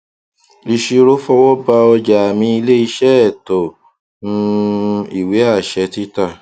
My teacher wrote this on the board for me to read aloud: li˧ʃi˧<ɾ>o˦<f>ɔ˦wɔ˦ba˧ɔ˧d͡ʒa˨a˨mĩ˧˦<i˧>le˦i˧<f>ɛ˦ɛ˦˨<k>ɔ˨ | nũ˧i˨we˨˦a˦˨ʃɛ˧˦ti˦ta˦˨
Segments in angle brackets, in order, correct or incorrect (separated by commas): correct, correct, correct, incorrect, incorrect